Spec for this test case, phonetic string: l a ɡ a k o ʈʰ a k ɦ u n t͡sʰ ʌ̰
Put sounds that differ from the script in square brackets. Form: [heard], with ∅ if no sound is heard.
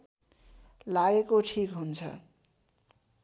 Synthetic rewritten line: l a ɡ [e] k o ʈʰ [i] k ɦ u n t͡sʰ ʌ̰